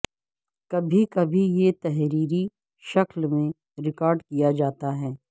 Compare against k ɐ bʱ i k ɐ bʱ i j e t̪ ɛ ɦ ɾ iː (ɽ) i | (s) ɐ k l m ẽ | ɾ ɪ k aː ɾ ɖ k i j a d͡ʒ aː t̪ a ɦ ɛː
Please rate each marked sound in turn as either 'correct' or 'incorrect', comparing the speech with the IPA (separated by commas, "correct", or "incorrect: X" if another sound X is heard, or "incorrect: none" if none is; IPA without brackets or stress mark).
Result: incorrect: ɾ, incorrect: ʃ